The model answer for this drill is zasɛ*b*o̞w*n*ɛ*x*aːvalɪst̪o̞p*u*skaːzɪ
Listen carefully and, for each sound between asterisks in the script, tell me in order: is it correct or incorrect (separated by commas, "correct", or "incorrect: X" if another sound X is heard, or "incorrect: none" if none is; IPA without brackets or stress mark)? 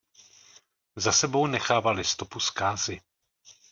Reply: correct, correct, correct, correct